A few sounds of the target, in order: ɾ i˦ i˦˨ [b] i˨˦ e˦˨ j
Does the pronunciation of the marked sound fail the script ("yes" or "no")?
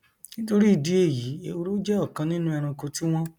yes